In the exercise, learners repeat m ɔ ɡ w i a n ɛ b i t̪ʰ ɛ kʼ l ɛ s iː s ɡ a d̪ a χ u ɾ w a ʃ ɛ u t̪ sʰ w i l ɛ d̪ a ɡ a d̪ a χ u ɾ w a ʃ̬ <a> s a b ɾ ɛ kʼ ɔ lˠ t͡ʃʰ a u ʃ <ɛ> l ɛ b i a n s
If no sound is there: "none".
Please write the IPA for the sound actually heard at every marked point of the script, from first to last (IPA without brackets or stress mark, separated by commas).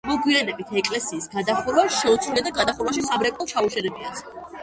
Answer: i, ɛ